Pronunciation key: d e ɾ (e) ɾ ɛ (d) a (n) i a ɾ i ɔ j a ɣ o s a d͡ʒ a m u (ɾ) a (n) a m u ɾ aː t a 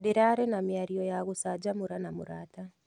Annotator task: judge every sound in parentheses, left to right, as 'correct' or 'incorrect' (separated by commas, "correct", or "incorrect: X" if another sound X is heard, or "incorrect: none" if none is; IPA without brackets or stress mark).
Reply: incorrect: a, incorrect: n, incorrect: m, correct, correct